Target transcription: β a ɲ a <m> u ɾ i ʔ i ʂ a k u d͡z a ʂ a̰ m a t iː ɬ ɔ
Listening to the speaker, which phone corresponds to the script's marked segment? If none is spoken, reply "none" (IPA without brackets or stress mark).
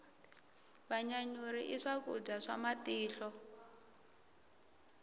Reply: ɲ